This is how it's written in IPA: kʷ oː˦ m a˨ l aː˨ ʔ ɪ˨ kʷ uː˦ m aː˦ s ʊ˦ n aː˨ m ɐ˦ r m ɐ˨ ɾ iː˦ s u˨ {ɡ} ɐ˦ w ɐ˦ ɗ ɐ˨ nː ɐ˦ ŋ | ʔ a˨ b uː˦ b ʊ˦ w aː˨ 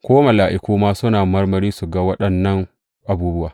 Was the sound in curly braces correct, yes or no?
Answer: yes